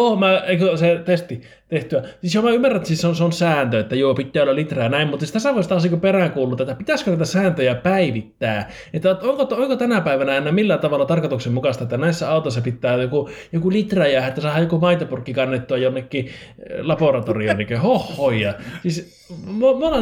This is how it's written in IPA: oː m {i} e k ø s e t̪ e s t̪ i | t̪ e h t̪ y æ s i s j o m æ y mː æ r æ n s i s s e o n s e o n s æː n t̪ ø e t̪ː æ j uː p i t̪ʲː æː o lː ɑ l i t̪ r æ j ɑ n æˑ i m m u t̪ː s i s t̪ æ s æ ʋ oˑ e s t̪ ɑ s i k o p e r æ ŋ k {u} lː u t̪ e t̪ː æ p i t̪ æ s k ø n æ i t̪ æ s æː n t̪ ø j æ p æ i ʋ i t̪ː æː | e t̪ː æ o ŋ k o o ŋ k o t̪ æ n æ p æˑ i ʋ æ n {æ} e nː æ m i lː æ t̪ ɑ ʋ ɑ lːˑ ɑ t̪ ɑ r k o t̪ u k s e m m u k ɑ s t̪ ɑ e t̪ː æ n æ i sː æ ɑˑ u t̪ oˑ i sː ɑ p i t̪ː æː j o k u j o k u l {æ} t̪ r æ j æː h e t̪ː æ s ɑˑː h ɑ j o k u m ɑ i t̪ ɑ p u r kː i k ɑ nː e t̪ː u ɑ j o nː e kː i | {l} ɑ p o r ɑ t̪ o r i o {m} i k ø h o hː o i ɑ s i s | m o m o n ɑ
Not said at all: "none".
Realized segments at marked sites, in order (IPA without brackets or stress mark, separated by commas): æ, uː, æ, i, l, n